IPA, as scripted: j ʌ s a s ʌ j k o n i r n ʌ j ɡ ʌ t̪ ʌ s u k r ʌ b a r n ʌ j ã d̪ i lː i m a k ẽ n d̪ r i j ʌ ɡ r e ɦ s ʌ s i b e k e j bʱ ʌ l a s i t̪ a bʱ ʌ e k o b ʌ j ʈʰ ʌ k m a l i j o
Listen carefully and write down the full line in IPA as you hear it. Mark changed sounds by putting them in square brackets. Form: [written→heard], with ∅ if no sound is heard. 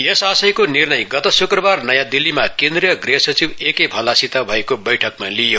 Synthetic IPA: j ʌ s a s ʌ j k o n i r n ʌ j ɡ ʌ t̪ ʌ s u k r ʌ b a r n ʌ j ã d̪ i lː i m a k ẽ n d̪ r i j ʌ ɡ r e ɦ s ʌ [s→t͡s] i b e k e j bʱ ʌ l a s i t̪ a bʱ ʌ e k o b ʌ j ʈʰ ʌ k m a l i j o

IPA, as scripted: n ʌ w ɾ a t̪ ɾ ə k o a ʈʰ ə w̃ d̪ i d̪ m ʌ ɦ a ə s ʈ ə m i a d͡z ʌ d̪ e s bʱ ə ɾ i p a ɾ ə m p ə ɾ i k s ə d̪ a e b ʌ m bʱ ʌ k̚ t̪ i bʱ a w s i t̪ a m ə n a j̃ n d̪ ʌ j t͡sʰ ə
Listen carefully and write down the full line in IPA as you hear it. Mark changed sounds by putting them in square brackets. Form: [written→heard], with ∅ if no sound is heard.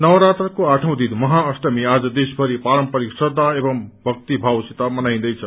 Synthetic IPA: n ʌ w ɾ a t̪ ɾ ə k o a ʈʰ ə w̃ d̪ i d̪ m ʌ ɦ a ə s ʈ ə m i a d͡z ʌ d̪ e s bʱ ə ɾ i p a ɾ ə m p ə ɾ i k s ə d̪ a e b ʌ m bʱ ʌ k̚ t̪ i bʱ a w s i t̪ a m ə n a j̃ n d̪ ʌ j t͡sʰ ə

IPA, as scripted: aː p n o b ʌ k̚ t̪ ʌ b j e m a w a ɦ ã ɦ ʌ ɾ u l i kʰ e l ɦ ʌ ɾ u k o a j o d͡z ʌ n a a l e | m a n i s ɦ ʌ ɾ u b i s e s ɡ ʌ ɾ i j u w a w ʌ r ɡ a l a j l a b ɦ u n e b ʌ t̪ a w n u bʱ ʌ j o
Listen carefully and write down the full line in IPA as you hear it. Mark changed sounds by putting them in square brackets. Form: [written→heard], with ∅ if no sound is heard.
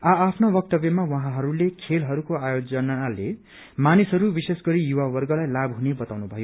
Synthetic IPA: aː [p→pʰ] n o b ʌ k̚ t̪ ʌ b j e m a w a ɦ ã ɦ ʌ ɾ u l [i→e] kʰ e l ɦ ʌ ɾ u k o a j o d͡z ʌ n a a l e | m a n i s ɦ ʌ ɾ u b i s e s ɡ ʌ ɾ i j u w a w ʌ r ɡ [a→ʌ] l a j l a b ɦ u n e b ʌ t̪ a w n u bʱ ʌ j o

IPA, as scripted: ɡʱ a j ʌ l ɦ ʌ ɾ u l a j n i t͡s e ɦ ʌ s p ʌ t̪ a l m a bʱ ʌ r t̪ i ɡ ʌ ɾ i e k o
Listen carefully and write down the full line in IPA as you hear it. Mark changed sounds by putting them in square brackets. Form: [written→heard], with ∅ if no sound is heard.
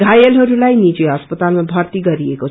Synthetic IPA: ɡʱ a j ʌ l ɦ ʌ ɾ u l a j n i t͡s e ɦ ʌ s p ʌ t̪ a l m a bʱ ʌ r t̪ i ɡ ʌ ɾ i e k o

